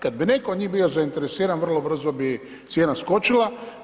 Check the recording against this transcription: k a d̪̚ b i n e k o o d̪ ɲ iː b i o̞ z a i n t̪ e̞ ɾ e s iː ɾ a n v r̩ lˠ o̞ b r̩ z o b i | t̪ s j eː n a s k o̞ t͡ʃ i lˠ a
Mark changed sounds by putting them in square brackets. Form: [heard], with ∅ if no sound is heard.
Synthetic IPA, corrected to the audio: k a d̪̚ b i n e k o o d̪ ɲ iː b i o̞ z a i n t̪ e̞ ɾ e s iː ɾ a n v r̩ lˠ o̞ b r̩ z o b i | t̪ s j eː n a s k o̞ t͡ʃ i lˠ a